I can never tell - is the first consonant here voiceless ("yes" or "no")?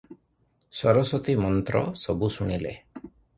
yes